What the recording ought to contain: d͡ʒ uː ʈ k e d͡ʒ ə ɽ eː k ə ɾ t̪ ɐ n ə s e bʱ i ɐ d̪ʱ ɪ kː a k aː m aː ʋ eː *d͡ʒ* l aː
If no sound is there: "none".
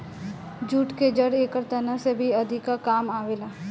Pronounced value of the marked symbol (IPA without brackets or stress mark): none